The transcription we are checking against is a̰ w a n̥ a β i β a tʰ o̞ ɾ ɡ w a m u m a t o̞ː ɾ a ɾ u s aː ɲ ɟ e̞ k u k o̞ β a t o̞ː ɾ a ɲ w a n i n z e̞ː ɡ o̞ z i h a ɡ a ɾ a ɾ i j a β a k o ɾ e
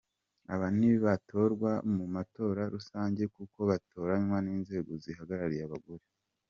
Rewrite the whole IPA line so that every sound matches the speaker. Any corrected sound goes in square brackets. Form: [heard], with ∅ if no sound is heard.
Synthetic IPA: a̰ [β] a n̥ [i] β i β a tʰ o̞ ɾ ɡ w a m u m a t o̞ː ɾ a ɾ u s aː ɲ ɟ e̞ k u k o̞ β a t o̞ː ɾ a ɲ w a n [iː] n z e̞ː ɡ o̞ z i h a ɡ a ɾ a ɾ i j a β a [ɡ] o ɾ e